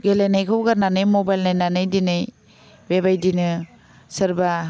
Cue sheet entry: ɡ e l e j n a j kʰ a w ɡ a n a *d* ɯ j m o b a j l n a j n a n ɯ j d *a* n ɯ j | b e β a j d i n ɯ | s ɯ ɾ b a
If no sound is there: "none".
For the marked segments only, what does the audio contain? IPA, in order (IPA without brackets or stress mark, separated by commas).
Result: n, i